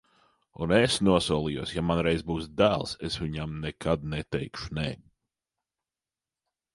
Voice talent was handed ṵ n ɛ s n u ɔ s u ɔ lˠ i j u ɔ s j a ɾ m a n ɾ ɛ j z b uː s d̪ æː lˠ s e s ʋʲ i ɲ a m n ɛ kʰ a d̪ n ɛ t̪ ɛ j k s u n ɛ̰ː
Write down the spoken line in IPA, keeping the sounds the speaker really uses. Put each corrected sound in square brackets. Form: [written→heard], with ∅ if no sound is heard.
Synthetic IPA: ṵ n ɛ s n u ɔ s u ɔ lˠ i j u ɔ s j a [ɾ→∅] m a n ɾ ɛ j z b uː s d̪ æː lˠ s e s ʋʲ i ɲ a m n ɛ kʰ a d̪ n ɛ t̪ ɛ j k [s→ʃ] u n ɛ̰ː